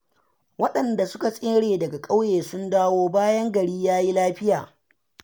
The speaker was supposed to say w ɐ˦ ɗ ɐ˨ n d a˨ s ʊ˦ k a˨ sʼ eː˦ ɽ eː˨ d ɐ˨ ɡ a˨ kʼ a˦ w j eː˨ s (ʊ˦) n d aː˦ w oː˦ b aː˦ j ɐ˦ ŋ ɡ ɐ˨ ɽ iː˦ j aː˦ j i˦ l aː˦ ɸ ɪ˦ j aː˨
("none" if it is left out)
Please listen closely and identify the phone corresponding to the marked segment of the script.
ʊ˦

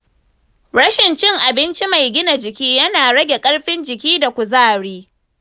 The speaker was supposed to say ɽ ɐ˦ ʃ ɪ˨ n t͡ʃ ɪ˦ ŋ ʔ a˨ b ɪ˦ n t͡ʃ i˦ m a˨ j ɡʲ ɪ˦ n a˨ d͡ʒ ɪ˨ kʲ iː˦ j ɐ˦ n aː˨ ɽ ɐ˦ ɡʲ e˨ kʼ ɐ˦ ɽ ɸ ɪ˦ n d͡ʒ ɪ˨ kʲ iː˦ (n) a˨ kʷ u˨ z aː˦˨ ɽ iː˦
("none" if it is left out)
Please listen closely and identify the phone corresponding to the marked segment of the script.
d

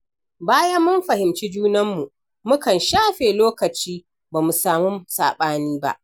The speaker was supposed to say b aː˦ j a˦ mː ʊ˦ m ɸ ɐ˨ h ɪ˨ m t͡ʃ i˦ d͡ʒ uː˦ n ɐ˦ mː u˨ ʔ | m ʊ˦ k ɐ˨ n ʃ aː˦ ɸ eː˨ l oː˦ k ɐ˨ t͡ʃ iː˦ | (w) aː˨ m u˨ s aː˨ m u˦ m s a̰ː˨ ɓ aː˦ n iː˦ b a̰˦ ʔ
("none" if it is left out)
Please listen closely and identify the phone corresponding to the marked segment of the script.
b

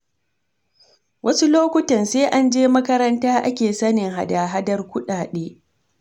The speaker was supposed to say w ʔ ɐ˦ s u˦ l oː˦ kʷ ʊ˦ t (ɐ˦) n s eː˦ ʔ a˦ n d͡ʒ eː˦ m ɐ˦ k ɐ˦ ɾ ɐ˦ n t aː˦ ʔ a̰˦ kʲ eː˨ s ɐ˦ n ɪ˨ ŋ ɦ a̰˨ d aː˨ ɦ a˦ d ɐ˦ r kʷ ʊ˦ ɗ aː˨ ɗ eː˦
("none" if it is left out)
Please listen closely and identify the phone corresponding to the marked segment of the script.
ɐ˨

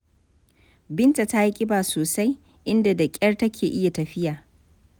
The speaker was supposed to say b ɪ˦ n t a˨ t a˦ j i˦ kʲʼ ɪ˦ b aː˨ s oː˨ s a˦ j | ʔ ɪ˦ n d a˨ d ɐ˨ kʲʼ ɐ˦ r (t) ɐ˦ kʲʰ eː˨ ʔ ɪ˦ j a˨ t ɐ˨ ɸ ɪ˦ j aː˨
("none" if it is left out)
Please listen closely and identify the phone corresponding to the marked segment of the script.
t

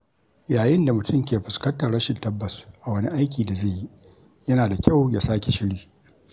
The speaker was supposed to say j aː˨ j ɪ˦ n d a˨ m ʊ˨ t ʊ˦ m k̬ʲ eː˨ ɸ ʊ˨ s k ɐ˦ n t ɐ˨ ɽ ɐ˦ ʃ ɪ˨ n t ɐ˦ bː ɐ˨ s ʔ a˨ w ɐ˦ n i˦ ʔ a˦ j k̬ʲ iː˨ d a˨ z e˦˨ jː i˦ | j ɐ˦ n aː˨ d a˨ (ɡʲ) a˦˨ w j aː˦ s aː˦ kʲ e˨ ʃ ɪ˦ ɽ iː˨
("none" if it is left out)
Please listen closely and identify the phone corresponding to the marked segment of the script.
kʲ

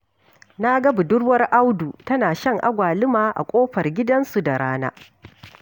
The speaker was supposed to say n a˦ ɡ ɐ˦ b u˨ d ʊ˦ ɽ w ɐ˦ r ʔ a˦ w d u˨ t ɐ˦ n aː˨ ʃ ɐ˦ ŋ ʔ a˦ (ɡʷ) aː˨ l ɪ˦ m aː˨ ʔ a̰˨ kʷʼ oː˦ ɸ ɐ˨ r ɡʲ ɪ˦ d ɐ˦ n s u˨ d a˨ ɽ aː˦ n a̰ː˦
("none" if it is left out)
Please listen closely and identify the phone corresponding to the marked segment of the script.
ɡʷ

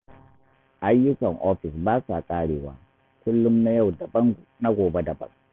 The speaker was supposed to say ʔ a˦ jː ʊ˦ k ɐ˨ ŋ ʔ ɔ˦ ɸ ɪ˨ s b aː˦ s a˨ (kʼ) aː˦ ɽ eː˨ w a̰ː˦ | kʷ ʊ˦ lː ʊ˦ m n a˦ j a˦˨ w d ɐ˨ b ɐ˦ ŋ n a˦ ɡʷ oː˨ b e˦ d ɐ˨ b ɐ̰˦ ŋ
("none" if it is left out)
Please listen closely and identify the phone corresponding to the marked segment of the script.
kʼ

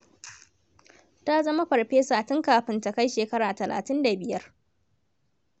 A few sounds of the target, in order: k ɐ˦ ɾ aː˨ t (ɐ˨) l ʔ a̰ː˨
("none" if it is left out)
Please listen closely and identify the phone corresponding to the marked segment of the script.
ɐ˨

